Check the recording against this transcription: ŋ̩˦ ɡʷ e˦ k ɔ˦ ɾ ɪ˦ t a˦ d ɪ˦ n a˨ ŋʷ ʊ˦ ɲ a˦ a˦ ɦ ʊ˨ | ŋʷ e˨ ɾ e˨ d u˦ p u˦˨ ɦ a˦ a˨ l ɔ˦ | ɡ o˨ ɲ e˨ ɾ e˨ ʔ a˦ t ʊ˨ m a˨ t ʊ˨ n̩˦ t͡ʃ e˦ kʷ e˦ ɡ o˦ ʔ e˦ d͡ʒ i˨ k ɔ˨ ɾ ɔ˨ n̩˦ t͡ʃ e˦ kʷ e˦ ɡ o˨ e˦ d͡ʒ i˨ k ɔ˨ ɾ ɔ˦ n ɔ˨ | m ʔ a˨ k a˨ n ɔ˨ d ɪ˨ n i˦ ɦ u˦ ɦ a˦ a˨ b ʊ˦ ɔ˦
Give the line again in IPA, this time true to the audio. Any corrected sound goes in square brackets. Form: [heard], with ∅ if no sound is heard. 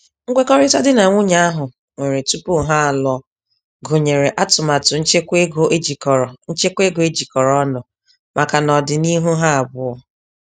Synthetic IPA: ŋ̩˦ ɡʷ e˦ k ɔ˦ ɾ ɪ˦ t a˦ d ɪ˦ n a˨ ŋʷ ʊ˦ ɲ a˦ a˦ ɦ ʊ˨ | ŋʷ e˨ ɾ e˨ [t] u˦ p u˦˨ ɦ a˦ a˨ l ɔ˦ | ɡ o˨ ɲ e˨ ɾ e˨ ʔ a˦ t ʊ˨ m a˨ t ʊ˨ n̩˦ t͡ʃ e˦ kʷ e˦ ɡ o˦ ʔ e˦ d͡ʒ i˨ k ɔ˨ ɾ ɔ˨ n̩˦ t͡ʃ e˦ kʷ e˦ ɡ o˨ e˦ d͡ʒ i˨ k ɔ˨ ɾ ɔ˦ n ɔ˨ | m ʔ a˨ k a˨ n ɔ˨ d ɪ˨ n i˦ ɦ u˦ ɦ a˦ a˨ b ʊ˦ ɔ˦

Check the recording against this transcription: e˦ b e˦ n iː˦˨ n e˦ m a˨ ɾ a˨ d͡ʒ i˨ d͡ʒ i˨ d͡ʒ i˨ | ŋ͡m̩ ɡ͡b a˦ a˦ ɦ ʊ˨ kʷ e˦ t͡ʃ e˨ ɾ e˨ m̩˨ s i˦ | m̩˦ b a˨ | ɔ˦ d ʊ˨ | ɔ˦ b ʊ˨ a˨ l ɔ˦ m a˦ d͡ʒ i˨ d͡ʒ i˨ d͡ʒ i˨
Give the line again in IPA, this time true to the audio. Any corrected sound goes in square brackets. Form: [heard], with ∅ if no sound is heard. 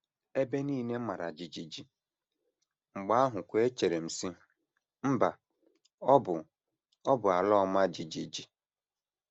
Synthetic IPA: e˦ b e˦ n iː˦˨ n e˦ m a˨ ɾ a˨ d͡ʒ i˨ d͡ʒ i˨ d͡ʒ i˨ | ŋ͡m̩ ɡ͡b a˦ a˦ ɦ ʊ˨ kʷ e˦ t͡ʃ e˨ ɾ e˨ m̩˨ s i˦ | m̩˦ b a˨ | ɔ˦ [b] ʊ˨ | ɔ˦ b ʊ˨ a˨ l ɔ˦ m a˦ d͡ʒ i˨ d͡ʒ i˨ d͡ʒ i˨

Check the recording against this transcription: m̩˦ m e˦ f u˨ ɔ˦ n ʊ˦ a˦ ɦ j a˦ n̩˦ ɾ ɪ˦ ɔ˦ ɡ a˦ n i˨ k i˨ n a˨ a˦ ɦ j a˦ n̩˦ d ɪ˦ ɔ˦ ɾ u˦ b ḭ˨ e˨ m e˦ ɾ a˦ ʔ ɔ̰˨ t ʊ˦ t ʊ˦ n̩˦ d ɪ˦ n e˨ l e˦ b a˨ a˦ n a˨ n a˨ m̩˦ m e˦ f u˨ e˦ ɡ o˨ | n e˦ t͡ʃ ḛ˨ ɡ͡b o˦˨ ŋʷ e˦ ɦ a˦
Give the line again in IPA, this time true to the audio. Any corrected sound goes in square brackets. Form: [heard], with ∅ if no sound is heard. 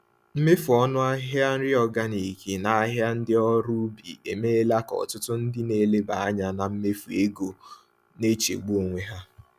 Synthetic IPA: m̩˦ m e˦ f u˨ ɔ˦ n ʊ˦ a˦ ɦ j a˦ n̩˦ ɾ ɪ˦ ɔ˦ ɡ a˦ n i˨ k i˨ n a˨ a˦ ɦ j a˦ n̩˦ d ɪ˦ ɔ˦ ɾ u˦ b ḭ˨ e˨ m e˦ [l] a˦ [k] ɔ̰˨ t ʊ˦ t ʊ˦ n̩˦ d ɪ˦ n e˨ l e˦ b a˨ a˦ [ɲ] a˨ n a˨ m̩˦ m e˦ f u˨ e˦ ɡ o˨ | n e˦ t͡ʃ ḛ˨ ɡ͡b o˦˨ ŋʷ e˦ ɦ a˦

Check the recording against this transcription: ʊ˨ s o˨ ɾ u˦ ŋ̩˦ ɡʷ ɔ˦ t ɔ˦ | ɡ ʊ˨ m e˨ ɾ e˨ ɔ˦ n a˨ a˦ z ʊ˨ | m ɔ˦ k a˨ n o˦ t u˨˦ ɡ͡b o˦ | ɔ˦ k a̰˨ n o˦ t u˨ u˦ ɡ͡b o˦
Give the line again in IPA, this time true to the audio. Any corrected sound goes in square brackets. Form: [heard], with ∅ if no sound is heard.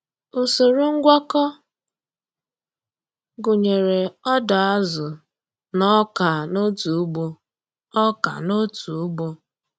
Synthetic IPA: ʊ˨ s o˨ ɾ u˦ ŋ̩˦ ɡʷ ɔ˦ [k] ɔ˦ | ɡ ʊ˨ [ɲ] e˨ ɾ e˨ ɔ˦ [d] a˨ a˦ z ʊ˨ | [n] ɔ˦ k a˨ n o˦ t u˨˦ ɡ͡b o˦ | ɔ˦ k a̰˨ n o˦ t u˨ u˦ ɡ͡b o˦

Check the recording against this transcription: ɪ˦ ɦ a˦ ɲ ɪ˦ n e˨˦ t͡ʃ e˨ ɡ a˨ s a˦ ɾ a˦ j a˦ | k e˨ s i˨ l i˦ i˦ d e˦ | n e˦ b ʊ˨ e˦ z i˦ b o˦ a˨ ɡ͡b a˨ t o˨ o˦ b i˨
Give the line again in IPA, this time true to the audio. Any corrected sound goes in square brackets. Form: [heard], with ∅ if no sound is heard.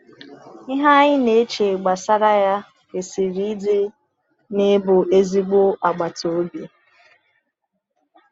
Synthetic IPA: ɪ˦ ɦ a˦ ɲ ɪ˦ n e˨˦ t͡ʃ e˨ [ɡ͡b] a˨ s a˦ ɾ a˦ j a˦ | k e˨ s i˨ [ɾ] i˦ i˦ d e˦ | n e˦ b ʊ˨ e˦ z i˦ [ɡ͡b] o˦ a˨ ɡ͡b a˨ t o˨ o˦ b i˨

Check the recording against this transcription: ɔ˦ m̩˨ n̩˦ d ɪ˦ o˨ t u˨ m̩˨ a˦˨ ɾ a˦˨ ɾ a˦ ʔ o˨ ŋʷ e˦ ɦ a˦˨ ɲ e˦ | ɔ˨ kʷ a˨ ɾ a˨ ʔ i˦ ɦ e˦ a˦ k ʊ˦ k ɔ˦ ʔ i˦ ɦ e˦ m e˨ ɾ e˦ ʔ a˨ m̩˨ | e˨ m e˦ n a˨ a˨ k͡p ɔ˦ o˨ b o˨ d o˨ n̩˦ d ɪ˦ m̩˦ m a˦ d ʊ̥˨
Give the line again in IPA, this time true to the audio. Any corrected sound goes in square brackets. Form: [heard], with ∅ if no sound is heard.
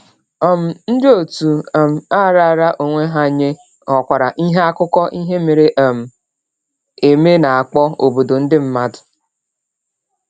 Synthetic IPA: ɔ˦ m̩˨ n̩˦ d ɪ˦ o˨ t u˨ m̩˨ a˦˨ ɾ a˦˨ ɾ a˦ ʔ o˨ ŋʷ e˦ ɦ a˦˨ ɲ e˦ | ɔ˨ kʷ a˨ ɾ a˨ ʔ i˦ ɦ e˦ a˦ k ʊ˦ k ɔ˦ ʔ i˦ ɦ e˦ m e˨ ɾ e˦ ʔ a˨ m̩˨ | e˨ m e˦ n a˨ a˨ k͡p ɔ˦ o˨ b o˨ d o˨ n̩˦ d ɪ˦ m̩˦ m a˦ d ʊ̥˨

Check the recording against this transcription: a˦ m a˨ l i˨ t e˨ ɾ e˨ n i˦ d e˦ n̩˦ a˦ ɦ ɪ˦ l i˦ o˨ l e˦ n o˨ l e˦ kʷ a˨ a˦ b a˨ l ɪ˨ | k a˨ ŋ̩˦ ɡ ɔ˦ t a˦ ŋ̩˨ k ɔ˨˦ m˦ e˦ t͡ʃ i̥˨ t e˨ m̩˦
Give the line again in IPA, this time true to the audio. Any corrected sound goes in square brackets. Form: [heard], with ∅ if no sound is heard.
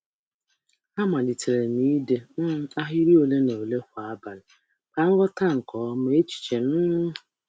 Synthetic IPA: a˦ m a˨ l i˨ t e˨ ɾ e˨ n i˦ d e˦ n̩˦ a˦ ɦ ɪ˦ [ɾ] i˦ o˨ l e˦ n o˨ l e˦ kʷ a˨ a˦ b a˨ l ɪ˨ | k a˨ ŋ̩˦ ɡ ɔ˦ t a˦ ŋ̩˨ k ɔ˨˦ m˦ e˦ t͡ʃ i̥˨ [t͡ʃ] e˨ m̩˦

